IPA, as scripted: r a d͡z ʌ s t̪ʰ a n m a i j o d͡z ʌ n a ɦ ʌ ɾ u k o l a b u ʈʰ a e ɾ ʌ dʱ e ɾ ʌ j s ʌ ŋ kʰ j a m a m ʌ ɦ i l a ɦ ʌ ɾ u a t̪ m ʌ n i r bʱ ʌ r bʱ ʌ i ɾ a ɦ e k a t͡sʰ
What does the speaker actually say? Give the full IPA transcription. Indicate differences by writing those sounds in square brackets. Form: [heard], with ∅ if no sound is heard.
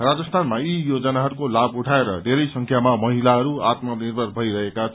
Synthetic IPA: r a d͡z ʌ s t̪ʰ a n m a i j o d͡z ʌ n a ɦ ʌ ɾ u k o l a b u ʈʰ a e ɾ ʌ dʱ e ɾ ʌ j s ʌ ŋ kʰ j a m a m ʌ ɦ i l a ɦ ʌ ɾ u a t̪ m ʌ n i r bʱ ʌ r bʱ ʌ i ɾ [ʌ] ɦ e k a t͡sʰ